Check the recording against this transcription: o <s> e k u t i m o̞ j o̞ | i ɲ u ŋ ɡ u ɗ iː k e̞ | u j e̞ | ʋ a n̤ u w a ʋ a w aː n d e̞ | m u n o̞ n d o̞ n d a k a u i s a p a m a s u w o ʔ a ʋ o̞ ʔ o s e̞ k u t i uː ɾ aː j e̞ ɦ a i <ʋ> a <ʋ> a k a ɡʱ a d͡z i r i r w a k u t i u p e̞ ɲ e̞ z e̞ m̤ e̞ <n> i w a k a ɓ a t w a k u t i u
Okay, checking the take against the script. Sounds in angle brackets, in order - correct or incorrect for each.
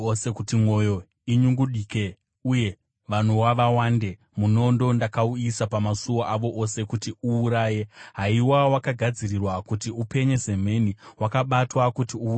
correct, incorrect, incorrect, correct

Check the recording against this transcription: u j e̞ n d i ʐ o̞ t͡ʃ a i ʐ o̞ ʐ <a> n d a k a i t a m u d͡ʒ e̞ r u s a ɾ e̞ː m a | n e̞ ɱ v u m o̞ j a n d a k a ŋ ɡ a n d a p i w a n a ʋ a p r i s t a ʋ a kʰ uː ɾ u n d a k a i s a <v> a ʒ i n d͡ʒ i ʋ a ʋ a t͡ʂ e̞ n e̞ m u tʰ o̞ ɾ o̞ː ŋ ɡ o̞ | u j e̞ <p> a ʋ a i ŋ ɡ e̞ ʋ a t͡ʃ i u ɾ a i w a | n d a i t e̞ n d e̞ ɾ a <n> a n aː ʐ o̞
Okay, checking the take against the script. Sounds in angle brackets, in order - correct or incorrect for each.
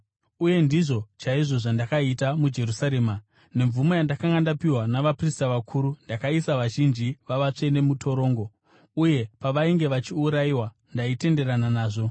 correct, incorrect, correct, correct

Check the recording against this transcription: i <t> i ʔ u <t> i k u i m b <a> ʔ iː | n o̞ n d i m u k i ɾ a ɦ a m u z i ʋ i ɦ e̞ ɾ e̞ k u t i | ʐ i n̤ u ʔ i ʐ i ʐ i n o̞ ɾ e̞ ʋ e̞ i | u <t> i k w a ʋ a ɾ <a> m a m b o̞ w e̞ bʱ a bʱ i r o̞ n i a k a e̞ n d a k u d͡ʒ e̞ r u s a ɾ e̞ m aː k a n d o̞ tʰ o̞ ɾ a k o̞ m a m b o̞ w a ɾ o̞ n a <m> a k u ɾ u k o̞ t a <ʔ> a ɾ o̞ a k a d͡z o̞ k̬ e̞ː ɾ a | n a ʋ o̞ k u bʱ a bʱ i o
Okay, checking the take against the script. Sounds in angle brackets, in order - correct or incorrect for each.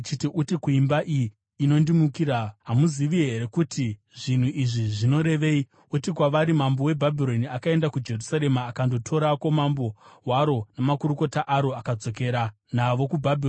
correct, correct, correct, correct, incorrect, correct, correct

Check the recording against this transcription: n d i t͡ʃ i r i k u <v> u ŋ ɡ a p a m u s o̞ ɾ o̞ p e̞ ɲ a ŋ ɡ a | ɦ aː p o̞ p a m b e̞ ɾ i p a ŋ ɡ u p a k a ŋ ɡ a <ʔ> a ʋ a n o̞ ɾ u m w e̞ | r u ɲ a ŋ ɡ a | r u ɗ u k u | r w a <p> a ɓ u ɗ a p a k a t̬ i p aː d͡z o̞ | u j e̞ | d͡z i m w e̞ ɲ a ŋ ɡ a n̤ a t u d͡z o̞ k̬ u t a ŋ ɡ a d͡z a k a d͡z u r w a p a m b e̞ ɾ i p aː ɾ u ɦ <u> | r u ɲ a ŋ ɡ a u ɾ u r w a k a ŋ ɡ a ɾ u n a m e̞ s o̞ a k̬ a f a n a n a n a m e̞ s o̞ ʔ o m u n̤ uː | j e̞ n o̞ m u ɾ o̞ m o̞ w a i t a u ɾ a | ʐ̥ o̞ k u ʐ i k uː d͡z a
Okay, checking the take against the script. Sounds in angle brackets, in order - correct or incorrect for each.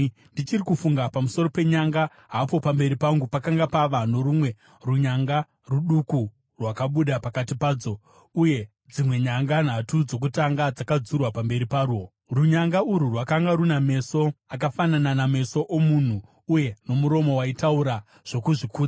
incorrect, incorrect, incorrect, incorrect

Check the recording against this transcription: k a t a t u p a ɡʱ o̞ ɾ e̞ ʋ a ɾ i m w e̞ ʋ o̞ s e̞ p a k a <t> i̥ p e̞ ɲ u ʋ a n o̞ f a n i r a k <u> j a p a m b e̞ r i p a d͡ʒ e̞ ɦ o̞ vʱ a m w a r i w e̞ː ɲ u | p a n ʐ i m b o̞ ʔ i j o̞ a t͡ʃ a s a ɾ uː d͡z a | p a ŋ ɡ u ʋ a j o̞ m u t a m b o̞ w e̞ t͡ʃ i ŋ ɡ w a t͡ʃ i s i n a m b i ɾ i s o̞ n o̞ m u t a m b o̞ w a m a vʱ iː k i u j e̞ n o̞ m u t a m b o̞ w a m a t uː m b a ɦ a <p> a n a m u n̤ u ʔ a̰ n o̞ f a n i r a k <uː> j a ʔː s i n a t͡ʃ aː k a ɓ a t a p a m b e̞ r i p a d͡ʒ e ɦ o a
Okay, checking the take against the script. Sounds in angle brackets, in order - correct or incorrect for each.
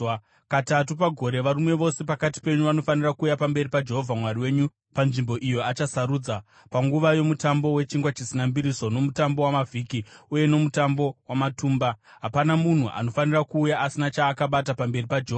correct, incorrect, correct, correct

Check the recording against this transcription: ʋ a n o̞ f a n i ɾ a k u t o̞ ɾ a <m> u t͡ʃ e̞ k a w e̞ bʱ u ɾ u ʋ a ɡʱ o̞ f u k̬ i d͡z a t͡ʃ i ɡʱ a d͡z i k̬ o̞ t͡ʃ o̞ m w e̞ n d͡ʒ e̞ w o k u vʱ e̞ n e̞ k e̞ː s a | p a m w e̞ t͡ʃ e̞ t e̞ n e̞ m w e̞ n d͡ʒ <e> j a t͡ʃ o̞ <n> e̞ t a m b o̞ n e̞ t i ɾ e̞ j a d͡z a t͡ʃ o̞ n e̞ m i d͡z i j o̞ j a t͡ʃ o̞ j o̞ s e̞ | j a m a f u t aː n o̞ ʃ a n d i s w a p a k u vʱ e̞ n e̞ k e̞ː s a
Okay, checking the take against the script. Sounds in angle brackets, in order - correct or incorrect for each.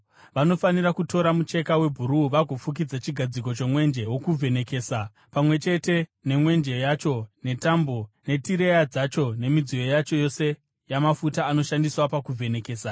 correct, correct, correct

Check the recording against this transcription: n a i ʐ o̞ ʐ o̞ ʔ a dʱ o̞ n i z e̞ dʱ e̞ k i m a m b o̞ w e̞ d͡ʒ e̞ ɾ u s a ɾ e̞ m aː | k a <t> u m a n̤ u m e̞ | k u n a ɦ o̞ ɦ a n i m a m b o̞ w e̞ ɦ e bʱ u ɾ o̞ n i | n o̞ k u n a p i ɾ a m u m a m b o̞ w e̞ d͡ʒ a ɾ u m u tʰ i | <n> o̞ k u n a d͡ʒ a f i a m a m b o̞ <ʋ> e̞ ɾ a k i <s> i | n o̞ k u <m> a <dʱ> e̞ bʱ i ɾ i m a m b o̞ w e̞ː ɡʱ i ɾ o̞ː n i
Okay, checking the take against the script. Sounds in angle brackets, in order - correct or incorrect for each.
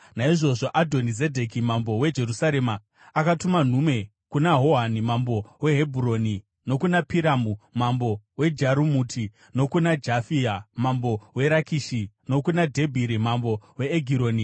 correct, correct, incorrect, incorrect, incorrect, correct

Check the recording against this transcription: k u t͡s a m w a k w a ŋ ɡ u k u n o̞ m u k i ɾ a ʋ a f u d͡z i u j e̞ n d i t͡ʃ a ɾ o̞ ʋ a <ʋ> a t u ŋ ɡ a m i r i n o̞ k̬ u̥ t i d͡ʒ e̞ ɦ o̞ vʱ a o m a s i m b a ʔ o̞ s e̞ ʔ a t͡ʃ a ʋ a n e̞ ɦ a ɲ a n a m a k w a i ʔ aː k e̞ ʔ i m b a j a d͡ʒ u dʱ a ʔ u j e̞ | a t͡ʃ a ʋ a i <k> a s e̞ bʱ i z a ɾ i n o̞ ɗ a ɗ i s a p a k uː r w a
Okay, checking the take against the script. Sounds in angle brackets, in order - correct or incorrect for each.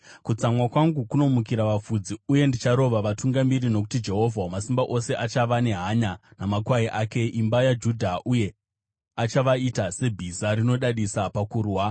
correct, incorrect

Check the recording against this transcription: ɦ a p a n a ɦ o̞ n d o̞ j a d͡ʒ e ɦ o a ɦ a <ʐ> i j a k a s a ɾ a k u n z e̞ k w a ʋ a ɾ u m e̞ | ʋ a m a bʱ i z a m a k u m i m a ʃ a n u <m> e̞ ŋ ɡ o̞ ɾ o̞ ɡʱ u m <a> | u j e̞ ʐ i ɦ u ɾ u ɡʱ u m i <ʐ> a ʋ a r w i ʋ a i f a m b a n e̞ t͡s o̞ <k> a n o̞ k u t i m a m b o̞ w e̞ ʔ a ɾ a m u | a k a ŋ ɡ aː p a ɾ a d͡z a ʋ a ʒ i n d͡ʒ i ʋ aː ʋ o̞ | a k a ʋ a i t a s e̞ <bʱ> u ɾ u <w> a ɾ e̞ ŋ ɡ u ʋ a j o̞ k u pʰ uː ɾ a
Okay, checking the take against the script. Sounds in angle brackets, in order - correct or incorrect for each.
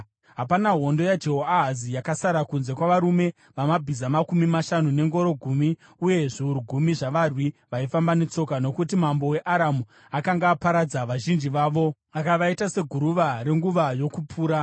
incorrect, incorrect, incorrect, correct, correct, incorrect, incorrect

